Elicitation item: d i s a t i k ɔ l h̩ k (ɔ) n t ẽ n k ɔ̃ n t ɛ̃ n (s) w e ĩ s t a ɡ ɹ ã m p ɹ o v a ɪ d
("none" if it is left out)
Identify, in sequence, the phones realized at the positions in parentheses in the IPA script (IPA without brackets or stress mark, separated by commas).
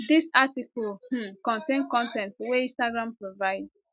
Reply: ɔ̃, t